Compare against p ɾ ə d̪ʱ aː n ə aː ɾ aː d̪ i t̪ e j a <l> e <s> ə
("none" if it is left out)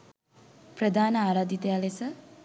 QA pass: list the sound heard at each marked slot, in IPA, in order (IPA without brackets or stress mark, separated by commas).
l, s